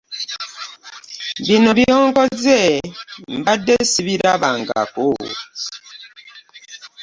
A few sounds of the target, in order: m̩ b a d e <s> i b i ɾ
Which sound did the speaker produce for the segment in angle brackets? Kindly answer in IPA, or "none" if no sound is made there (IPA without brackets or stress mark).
s